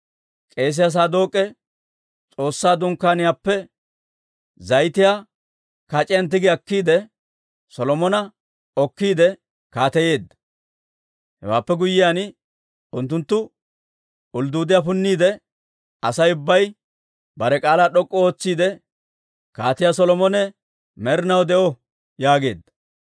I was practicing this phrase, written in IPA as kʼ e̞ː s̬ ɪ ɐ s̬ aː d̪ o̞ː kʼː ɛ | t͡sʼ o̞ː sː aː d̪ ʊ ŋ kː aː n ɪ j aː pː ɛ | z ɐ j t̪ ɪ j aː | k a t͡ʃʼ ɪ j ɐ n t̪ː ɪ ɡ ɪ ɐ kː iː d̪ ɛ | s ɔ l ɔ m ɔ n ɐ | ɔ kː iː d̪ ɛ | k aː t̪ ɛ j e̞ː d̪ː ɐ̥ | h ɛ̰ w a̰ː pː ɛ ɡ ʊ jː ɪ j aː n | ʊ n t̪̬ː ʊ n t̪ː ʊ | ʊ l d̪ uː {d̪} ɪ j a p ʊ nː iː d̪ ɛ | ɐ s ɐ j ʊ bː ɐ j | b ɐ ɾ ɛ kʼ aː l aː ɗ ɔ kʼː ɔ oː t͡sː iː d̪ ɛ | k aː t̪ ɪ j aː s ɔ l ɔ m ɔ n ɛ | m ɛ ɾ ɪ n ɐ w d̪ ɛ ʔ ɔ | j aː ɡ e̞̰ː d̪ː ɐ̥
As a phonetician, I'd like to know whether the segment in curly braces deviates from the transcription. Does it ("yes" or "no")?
no